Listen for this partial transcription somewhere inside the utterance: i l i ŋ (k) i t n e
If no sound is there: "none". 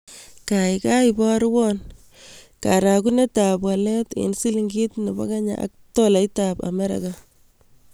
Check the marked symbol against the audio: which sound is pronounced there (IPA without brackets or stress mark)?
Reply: ɡ